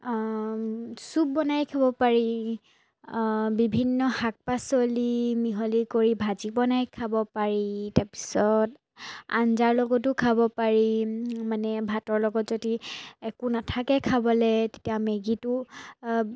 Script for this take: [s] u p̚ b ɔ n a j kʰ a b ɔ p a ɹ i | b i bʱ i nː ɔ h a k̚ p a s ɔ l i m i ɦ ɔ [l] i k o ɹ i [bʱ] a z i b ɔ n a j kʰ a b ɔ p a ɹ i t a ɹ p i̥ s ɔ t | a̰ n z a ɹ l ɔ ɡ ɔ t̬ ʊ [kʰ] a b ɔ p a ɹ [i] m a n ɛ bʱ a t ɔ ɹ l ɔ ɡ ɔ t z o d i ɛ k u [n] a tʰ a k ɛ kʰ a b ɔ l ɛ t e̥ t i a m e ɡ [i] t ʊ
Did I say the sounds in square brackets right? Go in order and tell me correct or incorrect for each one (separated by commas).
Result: correct, correct, correct, correct, correct, correct, correct